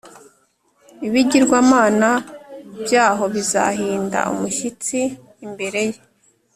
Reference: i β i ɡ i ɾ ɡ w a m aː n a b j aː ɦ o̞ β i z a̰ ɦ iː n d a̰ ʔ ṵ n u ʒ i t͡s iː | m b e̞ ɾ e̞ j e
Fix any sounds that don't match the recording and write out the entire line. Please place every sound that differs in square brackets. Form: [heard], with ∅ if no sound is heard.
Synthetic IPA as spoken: i β i [ɟ] i ɾ ɡ w a m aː n a b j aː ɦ o̞ β i z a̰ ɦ iː n d a̰ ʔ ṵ [m] u [ʃ] i t͡s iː | m b e̞ ɾ e̞ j e